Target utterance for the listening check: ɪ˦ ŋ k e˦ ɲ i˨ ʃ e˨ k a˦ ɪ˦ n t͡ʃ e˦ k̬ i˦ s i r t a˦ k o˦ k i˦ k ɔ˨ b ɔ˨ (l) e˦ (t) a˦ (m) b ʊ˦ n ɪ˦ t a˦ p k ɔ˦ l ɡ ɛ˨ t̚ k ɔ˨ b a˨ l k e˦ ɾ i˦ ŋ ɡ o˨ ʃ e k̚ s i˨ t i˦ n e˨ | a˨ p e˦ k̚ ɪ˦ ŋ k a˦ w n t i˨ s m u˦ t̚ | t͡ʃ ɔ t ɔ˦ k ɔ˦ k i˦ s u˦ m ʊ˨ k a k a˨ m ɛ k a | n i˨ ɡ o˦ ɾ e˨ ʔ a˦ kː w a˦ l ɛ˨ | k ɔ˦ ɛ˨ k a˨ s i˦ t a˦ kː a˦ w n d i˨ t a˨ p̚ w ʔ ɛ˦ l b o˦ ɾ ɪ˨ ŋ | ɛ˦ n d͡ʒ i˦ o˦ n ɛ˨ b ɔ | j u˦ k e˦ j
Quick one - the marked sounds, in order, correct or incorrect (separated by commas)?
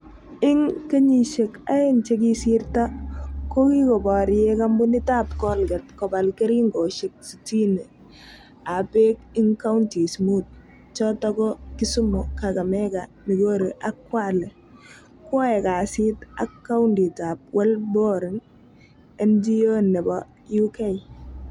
incorrect, incorrect, correct